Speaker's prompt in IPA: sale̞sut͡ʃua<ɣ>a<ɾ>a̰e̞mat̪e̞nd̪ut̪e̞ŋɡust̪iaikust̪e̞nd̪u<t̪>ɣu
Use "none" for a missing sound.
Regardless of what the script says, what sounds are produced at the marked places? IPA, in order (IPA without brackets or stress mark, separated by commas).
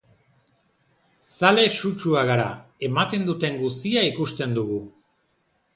ɣ, ɾ, none